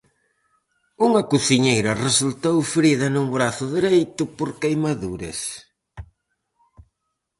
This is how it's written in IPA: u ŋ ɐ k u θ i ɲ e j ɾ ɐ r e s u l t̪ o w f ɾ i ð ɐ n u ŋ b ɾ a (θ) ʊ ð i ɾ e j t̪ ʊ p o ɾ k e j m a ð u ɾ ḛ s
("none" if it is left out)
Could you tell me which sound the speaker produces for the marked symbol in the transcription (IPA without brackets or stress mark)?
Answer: θ